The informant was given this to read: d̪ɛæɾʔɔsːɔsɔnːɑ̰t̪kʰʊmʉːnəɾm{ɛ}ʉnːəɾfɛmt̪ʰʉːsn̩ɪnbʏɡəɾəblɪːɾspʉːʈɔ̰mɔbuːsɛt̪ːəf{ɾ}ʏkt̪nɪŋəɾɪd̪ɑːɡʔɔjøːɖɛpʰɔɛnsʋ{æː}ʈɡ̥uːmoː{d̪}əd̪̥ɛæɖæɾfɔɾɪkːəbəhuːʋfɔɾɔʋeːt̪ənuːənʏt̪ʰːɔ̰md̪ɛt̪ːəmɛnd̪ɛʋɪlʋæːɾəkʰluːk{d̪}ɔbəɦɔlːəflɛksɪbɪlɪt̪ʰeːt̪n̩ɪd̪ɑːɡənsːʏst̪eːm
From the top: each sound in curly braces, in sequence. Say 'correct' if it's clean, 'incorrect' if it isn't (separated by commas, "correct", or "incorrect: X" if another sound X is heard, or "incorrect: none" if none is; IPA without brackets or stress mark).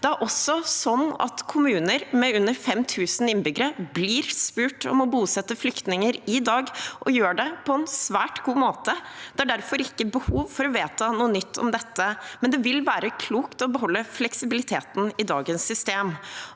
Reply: correct, incorrect: l, correct, incorrect: t̪, incorrect: t̪